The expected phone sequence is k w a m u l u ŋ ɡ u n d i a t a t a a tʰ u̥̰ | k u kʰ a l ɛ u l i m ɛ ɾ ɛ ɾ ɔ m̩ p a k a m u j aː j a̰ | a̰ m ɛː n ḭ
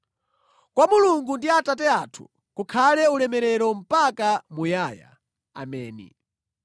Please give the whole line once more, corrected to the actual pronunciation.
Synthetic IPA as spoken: k w a m u l u ŋ ɡ u n d i a t a t ɛ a tʰ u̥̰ | k u kʰ a l ɛ u l ɛ m ɛ ɾ ɛ ɾ ɔ m̩ p a k a m u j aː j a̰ | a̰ m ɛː n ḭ